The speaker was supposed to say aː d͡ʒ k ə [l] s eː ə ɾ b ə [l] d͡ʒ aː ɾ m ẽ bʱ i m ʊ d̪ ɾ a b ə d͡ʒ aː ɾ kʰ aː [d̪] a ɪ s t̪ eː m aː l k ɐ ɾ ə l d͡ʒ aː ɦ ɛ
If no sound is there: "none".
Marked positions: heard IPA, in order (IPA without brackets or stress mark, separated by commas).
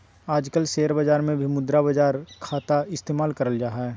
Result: l, none, t̪